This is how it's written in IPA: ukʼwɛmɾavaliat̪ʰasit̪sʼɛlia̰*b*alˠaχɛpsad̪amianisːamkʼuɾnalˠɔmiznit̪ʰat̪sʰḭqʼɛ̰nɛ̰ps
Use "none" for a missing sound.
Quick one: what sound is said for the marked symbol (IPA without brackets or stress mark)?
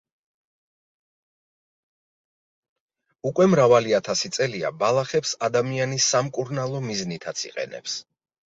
b